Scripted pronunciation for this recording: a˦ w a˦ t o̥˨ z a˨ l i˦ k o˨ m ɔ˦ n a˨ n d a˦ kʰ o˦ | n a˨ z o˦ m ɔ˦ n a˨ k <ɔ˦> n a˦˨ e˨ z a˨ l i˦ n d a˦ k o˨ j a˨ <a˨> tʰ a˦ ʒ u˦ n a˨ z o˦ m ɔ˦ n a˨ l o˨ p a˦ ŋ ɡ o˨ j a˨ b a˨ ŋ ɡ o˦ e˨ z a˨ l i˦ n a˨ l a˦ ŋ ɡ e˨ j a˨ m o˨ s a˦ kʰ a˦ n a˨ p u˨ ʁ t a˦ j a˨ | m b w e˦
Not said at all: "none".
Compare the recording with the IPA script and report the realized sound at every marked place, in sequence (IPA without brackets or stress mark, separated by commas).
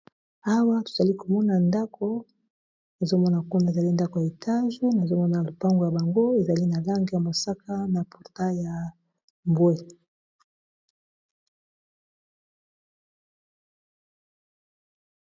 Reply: u˦, e˨